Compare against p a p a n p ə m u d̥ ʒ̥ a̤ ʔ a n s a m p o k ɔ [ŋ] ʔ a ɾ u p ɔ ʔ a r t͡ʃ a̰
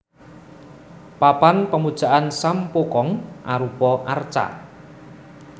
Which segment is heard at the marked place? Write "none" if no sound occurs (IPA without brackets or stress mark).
ŋ